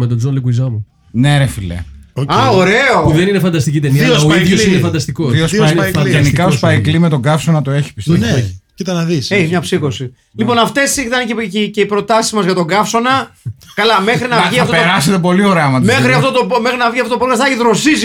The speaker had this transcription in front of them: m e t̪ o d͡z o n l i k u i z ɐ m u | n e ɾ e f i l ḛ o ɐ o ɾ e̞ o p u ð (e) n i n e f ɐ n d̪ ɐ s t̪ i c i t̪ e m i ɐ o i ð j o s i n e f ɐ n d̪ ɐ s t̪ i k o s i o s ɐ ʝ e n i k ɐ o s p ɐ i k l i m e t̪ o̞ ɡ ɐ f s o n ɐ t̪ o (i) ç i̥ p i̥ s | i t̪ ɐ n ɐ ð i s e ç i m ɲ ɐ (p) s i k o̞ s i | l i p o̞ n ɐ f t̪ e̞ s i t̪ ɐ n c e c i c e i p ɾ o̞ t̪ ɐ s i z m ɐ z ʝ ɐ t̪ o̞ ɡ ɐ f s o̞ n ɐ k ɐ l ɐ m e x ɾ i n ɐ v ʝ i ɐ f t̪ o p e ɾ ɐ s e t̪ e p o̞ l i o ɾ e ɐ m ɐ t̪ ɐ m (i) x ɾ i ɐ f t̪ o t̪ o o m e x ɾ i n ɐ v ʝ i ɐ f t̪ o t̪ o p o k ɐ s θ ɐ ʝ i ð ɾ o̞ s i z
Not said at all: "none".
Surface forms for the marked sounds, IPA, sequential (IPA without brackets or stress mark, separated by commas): e, e, p, e